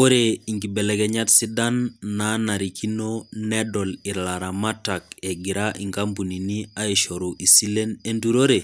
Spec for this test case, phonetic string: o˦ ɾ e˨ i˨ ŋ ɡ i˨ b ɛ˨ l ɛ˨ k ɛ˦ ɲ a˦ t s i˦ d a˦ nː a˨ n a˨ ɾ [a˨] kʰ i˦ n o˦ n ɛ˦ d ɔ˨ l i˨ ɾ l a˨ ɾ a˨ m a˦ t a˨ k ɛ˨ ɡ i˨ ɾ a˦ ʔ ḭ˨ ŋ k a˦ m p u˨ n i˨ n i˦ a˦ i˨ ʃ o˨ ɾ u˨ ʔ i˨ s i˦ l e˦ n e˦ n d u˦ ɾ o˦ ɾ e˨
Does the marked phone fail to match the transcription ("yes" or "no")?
yes